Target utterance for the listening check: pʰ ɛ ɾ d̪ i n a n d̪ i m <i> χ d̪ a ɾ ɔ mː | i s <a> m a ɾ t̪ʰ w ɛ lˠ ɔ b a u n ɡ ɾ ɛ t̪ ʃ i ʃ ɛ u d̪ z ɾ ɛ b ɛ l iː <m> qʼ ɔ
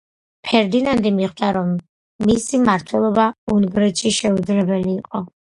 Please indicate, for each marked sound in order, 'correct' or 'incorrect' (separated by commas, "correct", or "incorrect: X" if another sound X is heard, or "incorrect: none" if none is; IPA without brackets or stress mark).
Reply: correct, incorrect: i, incorrect: none